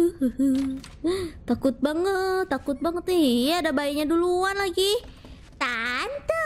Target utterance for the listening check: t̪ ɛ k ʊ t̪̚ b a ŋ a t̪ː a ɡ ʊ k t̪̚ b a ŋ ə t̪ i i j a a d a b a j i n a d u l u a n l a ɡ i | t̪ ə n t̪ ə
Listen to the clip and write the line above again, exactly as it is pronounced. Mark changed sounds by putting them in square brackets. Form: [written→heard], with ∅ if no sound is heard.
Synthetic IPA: t̪ [ɛ→a] k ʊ t̪̚ b a ŋ [a→ə] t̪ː a [ɡ→k] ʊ [k→∅] t̪̚ b a ŋ ə t̪ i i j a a d a b a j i [n→ɲ] a d u l u a n l a ɡ i | t̪ [ə→a] n t̪ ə